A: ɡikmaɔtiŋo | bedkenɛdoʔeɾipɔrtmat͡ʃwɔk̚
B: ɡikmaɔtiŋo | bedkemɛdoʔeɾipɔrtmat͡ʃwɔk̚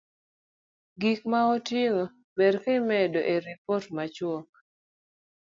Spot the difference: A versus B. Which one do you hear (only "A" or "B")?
B